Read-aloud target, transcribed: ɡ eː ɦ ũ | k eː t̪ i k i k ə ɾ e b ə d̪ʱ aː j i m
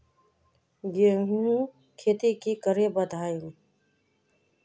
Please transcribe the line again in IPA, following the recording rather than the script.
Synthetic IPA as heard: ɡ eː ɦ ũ | kʰ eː t̪ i k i k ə ɾ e b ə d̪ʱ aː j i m